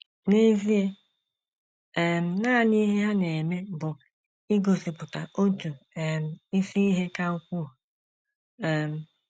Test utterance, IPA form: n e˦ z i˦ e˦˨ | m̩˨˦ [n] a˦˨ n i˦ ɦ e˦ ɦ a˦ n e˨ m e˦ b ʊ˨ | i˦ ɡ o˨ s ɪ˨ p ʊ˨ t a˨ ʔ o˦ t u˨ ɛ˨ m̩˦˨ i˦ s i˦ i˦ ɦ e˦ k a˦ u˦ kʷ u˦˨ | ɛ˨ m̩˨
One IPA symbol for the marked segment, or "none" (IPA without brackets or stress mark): n